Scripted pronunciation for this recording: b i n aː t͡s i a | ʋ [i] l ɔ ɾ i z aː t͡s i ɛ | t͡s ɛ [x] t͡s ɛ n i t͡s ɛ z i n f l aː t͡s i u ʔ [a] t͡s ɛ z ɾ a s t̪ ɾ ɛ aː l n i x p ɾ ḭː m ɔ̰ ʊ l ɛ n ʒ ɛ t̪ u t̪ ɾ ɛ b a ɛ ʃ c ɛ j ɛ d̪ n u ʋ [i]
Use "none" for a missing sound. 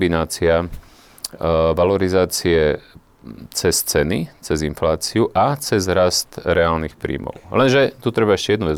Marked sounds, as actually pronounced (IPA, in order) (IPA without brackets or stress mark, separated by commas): a, s, a, ɛ